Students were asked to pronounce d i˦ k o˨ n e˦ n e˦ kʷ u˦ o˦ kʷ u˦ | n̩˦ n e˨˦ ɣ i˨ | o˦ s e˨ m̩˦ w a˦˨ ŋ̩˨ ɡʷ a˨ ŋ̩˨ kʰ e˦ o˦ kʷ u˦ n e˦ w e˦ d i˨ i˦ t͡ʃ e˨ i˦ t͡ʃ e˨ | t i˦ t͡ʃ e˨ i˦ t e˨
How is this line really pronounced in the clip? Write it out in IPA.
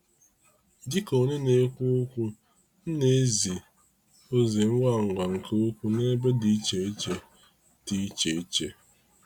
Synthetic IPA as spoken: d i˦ k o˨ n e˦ n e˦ kʷ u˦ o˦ kʷ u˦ | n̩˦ n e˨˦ z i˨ | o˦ z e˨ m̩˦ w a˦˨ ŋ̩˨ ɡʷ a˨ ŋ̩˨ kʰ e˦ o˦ kʷ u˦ n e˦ b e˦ d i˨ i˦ t͡ʃ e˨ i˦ t͡ʃ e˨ | t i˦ t͡ʃ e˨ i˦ t͡ʃ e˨